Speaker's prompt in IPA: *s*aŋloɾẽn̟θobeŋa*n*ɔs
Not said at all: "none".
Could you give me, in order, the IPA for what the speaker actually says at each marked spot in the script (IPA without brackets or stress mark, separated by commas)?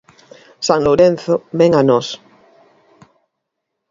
s, n